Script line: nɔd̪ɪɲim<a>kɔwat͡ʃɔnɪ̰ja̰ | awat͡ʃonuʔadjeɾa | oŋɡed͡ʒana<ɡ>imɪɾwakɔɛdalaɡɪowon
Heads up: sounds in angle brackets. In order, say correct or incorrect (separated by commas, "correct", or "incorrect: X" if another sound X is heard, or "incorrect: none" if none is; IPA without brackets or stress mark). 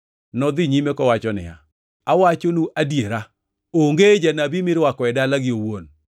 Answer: incorrect: e, incorrect: b